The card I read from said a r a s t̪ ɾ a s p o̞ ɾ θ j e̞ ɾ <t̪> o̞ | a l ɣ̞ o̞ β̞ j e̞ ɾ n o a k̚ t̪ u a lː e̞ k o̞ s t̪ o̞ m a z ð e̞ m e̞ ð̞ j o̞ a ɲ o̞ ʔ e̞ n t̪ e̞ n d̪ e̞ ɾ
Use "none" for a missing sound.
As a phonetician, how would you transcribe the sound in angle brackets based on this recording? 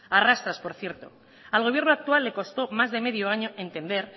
t̪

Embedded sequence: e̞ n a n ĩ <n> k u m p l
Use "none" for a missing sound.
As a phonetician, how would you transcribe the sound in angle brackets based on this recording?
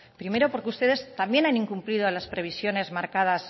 ŋ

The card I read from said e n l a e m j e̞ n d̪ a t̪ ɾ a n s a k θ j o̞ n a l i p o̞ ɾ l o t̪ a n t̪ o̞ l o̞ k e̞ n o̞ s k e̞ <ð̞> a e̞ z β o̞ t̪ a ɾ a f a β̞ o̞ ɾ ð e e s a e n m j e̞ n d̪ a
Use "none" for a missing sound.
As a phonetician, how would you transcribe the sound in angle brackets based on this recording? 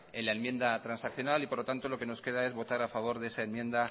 ð̞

